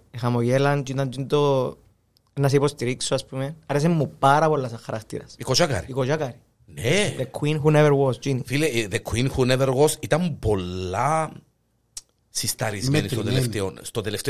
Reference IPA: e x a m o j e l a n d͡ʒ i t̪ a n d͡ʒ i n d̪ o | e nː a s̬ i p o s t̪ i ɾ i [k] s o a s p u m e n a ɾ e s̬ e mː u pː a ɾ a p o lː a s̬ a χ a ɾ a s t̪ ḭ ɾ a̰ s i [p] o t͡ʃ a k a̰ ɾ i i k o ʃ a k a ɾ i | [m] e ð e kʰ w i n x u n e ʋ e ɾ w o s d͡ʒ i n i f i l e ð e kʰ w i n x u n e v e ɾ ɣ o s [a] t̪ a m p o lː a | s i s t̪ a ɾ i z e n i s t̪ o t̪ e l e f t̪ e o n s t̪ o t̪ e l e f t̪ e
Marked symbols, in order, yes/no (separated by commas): yes, no, no, no